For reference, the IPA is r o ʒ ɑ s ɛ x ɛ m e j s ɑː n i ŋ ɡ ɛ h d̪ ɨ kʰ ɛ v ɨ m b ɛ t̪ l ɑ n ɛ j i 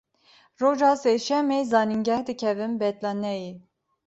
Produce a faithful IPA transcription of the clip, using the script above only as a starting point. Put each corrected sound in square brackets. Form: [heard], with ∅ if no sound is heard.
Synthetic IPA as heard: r o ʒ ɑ s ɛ [ʃ] ɛ m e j [z] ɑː n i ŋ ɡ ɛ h d̪ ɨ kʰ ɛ v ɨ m b ɛ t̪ l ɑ n ɛ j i